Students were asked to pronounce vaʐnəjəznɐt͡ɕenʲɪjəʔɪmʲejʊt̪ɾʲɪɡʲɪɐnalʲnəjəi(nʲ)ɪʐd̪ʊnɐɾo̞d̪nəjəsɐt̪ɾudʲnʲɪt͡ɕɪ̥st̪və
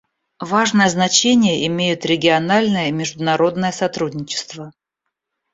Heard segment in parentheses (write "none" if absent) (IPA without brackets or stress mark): mʲ